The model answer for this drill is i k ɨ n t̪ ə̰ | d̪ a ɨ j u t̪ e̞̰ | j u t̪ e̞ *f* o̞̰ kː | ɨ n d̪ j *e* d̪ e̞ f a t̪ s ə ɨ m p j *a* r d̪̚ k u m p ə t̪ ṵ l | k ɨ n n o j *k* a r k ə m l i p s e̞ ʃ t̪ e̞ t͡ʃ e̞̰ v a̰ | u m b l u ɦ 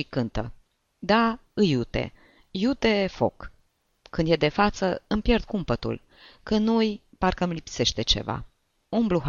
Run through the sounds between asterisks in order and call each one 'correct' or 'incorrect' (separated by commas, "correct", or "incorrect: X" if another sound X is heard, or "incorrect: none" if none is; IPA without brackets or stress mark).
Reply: correct, correct, incorrect: e, incorrect: p